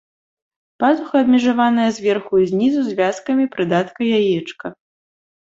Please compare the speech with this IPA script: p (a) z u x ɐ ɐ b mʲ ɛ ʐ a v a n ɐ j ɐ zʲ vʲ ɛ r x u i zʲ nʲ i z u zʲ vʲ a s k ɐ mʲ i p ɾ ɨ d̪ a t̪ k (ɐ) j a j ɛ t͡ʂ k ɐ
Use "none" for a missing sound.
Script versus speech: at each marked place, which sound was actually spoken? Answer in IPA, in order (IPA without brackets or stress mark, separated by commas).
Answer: a, ɐ